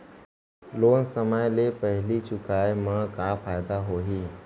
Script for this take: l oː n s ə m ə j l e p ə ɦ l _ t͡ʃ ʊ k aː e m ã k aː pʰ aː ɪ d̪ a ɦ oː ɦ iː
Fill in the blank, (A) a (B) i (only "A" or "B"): B